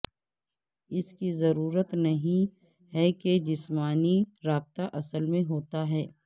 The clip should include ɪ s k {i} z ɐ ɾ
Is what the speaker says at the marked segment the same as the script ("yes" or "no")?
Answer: yes